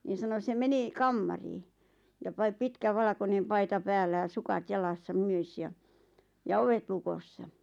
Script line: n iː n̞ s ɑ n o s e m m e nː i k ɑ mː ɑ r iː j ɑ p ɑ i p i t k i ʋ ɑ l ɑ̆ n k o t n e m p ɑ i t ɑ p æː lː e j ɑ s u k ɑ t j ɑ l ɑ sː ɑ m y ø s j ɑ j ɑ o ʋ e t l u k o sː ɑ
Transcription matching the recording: n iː n̞ s ɑ n o s e m m e n i k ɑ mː ɑ r iː j ɑ p ɑ i p i t k æ ʋ ɑ l ɑ̆ k o n e m p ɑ i t ɑ p æː lː æ j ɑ s u k ɑ t j ɑ l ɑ sː ɑ m y ø s j ɑ j ɑ o ʋ e t l u k o sː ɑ